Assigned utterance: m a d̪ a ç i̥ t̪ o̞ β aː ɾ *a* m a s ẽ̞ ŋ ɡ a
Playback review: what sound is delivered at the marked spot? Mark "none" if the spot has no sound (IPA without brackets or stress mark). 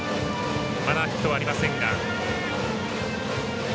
i